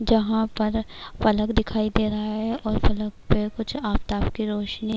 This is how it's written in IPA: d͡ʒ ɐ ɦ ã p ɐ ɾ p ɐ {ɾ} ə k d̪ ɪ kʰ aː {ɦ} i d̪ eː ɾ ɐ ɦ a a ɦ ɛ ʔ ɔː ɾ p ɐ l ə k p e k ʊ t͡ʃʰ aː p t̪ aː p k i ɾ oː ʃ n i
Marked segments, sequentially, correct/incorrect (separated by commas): incorrect, incorrect